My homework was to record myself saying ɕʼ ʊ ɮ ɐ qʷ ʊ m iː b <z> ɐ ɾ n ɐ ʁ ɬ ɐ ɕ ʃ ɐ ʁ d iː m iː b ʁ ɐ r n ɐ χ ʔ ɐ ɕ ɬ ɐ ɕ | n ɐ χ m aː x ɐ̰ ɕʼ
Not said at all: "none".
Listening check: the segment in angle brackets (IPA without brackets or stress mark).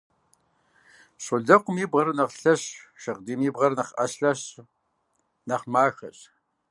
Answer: ʁ